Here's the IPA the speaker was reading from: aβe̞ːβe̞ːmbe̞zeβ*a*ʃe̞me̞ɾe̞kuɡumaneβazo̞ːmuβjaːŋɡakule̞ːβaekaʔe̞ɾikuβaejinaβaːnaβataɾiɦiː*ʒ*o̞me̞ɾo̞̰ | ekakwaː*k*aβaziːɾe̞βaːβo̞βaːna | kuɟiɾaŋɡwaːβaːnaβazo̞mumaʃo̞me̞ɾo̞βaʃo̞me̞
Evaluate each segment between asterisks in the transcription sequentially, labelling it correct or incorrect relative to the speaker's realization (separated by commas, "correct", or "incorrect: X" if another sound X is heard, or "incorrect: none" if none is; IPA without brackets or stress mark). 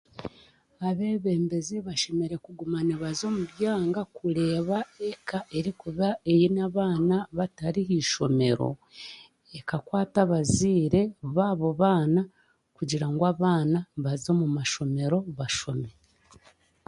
correct, incorrect: ʃ, incorrect: t